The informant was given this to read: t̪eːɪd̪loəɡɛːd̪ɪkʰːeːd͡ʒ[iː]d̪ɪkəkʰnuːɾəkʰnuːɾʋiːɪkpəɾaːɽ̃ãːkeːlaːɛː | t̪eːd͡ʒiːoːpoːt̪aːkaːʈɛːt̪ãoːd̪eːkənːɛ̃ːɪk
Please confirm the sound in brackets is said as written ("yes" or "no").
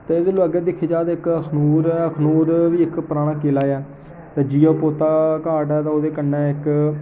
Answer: no